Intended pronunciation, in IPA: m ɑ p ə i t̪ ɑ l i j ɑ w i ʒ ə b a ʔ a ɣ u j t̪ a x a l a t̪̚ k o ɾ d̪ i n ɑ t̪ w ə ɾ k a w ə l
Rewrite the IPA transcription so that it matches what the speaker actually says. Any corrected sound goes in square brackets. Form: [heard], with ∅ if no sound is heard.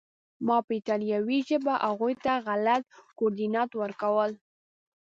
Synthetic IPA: m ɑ p ə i t̪ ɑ l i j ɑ w i ʒ ə b a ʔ a ɣ u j t̪ a [ɣ] a l a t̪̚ k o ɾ d̪ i n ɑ t̪ w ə ɾ k a w ə l